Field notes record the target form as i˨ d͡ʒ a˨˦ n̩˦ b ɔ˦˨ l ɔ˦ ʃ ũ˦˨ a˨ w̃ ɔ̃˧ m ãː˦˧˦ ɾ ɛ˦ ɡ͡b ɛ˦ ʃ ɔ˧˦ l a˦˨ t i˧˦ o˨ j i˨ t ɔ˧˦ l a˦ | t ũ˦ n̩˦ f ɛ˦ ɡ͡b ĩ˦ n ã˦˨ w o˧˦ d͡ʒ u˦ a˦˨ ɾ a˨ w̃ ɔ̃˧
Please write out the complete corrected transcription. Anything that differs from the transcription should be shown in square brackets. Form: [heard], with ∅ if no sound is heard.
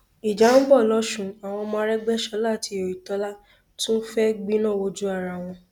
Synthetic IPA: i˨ d͡ʒ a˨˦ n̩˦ b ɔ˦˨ l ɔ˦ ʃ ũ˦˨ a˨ w̃ ɔ̃˧ m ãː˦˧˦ ɾ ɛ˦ ɡ͡b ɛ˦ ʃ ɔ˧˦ l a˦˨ t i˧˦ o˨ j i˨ t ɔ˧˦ l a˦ | t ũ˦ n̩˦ f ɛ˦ ɡ͡b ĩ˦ n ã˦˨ w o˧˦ d͡ʒ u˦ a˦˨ ɾ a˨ w̃ ɔ̃˧